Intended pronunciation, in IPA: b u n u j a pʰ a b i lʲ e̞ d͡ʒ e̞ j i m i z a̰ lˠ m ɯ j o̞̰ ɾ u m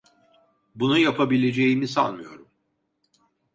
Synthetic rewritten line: b u n u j a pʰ a b i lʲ e̞ d͡ʒ e̞ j i m i s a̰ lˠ m ɯ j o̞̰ ɾ u m

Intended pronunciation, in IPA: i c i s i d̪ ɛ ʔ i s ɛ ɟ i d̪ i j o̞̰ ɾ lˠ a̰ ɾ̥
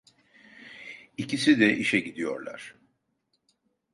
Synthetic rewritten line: i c i s i d̪ ɛ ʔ i ʃ ɛ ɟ i d̪ i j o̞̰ ɾ lˠ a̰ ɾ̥

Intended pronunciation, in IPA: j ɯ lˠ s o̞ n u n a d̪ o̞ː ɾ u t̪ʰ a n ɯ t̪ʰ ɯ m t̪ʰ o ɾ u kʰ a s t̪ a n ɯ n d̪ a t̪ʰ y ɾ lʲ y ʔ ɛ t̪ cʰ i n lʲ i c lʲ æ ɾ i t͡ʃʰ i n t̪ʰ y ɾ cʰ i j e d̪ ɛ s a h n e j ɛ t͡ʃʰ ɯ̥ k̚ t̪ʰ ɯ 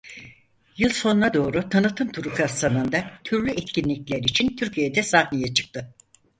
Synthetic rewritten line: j ɯ lˠ s o̞ n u n a d̪ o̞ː ɾ u t̪ʰ a n ɯ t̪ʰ ɯ m t̪ʰ u ɾ u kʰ a s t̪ a n ɯ n d̪ a t̪ʰ y ɾ lʲ y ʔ ɛ t̪ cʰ i n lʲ i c lʲ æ ɾ i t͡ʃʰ i n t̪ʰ y ɾ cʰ i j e d̪ ɛ s a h n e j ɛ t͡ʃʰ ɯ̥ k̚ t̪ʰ ɯ

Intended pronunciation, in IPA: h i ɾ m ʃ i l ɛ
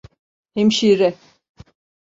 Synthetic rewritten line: h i m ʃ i ɾ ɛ

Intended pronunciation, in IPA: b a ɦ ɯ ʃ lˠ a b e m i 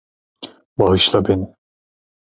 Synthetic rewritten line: b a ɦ ɯ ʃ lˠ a b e n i

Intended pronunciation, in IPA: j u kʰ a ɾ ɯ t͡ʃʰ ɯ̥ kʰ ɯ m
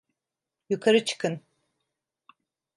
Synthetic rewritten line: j u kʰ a ɾ ɯ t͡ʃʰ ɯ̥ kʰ ɯ n

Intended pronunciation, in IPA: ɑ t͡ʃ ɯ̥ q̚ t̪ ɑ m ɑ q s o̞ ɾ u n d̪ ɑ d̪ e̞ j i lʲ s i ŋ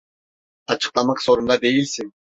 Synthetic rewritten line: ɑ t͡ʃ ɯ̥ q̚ t̪ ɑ m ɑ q s o̞ ɾ u n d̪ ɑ d̪ e̞ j i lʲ s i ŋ

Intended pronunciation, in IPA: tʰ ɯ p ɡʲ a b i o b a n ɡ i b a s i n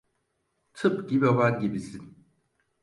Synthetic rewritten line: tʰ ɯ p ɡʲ i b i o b a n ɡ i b i s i n

